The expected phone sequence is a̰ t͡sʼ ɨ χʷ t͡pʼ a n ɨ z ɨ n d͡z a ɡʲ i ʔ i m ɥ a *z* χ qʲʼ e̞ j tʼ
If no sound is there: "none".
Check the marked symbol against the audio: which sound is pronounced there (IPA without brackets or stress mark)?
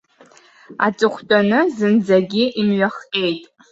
none